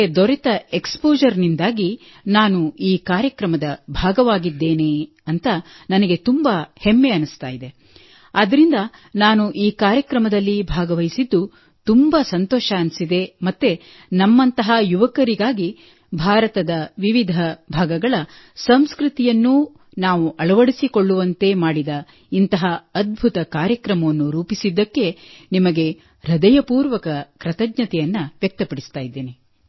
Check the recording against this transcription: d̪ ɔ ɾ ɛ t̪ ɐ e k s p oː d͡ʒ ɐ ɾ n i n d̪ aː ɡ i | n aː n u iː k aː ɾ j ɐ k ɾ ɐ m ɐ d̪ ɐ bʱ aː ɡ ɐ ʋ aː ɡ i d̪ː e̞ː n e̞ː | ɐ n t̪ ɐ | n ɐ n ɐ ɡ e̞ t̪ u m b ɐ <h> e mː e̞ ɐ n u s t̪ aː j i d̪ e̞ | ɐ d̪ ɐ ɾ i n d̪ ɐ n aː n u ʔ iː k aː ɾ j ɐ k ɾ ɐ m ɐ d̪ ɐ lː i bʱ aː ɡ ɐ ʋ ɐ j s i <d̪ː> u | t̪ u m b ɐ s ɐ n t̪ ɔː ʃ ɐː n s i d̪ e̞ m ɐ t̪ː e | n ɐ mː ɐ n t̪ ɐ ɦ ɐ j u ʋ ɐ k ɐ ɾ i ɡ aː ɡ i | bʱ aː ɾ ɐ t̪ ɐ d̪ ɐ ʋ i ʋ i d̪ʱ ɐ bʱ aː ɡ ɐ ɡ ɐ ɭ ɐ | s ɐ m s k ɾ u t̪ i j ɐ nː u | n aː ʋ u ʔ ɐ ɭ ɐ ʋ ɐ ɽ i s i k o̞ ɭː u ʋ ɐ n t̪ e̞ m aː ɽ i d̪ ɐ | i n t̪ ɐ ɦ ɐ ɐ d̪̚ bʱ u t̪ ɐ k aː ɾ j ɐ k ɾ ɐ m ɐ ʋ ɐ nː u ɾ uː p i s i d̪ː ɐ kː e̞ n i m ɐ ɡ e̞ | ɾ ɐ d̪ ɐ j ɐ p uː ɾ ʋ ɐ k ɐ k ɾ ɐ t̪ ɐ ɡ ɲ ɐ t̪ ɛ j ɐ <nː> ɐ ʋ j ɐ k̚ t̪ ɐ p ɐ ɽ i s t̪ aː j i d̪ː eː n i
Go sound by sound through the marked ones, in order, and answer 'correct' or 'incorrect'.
correct, correct, correct

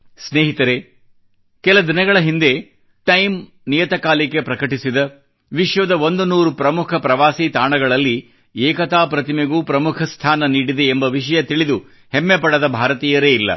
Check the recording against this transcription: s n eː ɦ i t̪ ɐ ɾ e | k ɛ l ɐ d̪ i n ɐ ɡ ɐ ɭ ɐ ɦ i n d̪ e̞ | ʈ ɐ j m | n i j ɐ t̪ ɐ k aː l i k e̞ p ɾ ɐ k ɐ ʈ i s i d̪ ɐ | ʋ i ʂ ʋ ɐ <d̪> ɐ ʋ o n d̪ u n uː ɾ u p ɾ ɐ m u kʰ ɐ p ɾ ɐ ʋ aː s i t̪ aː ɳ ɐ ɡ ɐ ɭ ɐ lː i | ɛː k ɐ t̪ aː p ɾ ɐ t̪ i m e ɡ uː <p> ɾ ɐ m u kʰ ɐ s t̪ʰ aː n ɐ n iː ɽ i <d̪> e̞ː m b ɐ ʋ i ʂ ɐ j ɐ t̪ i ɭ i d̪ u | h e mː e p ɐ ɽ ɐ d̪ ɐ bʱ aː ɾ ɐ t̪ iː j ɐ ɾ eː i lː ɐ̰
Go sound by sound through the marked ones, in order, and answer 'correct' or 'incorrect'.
correct, correct, correct

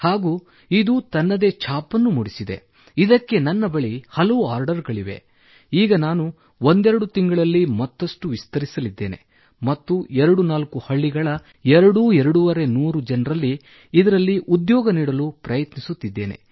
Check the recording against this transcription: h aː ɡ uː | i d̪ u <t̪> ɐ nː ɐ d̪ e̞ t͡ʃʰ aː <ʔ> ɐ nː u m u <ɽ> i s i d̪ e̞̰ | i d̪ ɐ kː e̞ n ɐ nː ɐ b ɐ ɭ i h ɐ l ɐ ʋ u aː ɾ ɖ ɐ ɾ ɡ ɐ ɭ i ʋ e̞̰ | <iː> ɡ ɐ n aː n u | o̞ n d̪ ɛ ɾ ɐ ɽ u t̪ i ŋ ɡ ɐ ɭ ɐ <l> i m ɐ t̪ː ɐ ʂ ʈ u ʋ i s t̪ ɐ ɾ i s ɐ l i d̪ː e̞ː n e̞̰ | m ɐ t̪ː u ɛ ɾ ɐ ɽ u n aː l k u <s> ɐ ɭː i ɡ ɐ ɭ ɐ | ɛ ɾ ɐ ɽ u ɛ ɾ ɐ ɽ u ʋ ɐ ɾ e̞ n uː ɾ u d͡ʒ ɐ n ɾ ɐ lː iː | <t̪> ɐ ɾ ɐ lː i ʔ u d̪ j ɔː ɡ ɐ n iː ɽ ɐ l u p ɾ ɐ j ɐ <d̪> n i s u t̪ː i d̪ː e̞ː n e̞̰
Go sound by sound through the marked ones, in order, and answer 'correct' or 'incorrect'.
correct, incorrect: p, correct, correct, incorrect: lː, incorrect: h, incorrect: d̪, incorrect: t̪

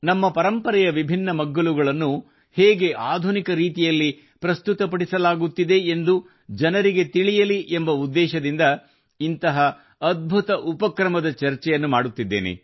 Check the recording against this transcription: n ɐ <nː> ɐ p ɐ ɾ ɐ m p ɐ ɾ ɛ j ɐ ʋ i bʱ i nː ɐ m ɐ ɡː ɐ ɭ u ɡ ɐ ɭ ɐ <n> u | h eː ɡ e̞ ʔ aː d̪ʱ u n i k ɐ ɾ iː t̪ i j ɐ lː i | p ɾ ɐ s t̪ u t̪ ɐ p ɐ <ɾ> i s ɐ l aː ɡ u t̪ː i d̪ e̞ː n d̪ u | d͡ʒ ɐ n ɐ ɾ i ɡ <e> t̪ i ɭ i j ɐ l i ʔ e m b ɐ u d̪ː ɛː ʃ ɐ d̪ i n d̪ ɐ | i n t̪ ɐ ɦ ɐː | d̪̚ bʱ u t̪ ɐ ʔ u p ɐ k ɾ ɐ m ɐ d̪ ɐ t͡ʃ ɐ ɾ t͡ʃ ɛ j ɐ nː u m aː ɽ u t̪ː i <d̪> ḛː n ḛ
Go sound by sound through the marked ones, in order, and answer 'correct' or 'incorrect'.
incorrect: mː, incorrect: nː, incorrect: ɽ, correct, incorrect: d̪ː

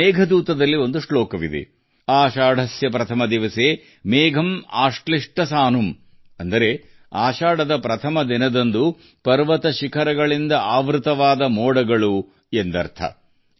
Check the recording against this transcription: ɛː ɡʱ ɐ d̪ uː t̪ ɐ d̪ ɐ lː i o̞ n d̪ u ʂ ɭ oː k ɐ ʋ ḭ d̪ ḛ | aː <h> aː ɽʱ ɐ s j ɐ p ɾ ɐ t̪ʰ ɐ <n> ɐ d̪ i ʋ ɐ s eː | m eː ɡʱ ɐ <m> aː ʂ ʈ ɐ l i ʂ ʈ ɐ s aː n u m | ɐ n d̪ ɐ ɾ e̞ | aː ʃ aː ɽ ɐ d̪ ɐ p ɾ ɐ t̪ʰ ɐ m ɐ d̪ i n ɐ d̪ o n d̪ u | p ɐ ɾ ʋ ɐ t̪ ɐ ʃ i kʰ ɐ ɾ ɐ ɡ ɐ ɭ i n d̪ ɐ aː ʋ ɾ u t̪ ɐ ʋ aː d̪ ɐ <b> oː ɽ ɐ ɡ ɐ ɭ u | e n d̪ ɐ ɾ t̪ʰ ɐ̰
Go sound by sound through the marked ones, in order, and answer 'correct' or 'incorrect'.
incorrect: ʃ, incorrect: m, correct, incorrect: m

